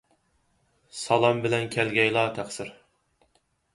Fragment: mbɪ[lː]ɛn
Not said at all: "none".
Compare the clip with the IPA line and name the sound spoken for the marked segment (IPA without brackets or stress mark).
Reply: l